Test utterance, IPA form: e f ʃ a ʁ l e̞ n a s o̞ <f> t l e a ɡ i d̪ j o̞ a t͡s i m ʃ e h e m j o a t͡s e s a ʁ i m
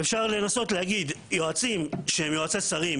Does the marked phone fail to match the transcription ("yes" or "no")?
yes